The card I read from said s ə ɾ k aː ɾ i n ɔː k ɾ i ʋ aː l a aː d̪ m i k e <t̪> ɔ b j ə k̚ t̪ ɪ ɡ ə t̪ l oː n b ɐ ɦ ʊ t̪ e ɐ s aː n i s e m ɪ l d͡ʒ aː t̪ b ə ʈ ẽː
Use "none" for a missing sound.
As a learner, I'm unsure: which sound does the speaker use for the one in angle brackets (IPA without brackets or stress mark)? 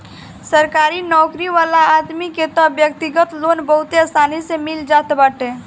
t̪